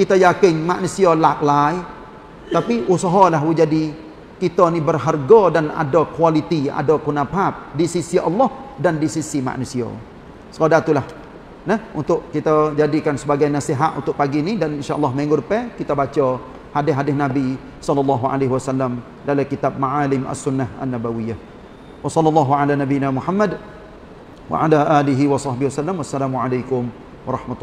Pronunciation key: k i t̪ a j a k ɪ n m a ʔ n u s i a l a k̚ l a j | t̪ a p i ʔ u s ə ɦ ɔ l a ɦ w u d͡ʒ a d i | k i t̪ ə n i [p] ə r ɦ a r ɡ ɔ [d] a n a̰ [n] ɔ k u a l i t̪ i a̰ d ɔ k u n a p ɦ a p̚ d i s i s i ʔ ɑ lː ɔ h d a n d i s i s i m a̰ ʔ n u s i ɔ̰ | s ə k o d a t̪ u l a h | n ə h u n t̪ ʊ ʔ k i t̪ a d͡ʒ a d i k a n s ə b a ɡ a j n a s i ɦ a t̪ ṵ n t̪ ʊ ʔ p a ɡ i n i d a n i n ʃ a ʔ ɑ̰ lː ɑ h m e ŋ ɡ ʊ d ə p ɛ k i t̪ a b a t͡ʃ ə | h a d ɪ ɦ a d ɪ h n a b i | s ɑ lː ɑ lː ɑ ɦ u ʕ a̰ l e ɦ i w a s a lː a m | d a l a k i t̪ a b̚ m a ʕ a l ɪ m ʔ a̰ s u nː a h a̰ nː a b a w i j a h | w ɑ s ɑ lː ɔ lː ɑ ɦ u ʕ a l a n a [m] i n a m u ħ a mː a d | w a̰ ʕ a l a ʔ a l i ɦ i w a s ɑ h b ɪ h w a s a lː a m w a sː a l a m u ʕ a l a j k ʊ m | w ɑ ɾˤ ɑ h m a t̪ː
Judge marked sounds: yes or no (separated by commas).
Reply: no, yes, no, no